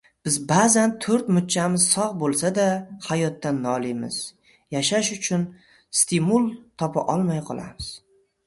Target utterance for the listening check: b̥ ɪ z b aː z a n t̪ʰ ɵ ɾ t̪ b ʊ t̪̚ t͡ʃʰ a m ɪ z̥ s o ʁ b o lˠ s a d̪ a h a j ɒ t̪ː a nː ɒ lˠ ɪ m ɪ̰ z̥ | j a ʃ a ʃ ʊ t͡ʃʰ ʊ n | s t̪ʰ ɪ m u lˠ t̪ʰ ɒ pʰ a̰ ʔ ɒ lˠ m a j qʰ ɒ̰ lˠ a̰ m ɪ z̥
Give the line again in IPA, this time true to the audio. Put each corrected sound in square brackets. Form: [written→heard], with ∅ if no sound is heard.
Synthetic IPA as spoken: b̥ ɪ z b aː z a n t̪ʰ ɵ ɾ t̪ [b→m] ʊ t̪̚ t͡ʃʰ a m ɪ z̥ s [o→ɒ] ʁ b o lˠ s a d̪ a h a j ɒ t̪ː a nː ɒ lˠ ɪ m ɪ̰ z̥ | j a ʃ a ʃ ʊ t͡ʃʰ ʊ n | s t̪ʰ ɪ m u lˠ t̪ʰ ɒ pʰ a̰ ʔ ɒ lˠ m a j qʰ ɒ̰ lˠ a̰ m ɪ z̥

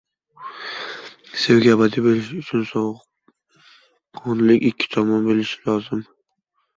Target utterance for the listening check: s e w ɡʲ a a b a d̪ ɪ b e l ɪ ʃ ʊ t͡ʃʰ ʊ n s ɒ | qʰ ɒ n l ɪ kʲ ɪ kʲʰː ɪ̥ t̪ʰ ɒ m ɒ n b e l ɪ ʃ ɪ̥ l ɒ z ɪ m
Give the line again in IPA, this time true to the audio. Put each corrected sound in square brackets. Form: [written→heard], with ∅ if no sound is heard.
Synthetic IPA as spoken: s e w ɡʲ a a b a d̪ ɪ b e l ɪ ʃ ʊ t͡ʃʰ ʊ n s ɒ | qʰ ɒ n l ɪ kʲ ɪ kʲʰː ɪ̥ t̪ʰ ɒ m ɒ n b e l ɪ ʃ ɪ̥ l ɒ z ɪ m

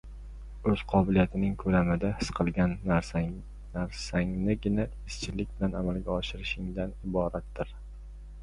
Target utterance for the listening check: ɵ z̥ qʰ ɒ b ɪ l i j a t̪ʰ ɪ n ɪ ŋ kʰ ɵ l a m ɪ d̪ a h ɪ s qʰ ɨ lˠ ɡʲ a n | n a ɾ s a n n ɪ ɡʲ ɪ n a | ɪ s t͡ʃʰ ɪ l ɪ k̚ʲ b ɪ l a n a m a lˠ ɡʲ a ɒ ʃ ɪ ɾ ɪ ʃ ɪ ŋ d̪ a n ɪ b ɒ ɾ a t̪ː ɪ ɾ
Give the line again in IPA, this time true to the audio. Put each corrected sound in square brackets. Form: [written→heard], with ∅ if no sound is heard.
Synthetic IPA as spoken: ɵ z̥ qʰ ɒ b ɪ l i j a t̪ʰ ɪ n ɪ ŋ kʰ ɵ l a m ɪ d̪ a h ɪ s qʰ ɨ lˠ ɡʲ a n | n a ɾ s a [n→ŋ] n ɪ ɡʲ ɪ n a | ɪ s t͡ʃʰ ɪ l ɪ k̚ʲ b ɪ l a n a m a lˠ ɡʲ a ɒ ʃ ɪ ɾ ɪ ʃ ɪ ŋ d̪ a n ɪ b ɒ ɾ a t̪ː ɪ ɾ

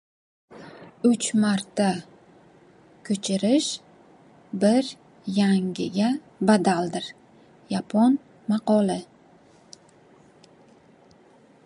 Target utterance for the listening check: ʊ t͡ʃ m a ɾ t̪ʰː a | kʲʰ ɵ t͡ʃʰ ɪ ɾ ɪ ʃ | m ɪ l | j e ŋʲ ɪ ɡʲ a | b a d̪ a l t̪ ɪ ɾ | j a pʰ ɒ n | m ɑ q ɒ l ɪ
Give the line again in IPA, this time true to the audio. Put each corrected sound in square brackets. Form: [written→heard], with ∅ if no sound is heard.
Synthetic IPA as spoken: ʊ t͡ʃ m a ɾ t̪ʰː a | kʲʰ ɵ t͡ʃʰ ɪ ɾ ɪ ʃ | [m→b] ɪ [l→ɾ] | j [e→a] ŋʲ ɪ ɡʲ a | b a d̪ a l [t̪→d̪] ɪ ɾ | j a pʰ ɒ n | m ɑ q ɒ l ɪ

